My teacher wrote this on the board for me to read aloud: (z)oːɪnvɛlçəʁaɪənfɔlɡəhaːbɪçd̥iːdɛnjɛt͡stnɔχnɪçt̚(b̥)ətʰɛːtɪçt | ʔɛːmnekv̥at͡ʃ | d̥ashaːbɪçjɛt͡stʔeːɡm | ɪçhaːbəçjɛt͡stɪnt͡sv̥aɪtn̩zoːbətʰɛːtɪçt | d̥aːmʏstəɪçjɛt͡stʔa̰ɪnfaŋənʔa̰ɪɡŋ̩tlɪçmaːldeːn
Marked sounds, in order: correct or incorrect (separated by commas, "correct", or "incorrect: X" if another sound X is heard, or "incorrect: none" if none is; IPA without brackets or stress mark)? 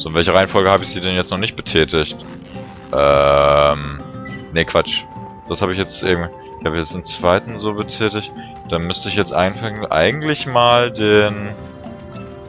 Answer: correct, correct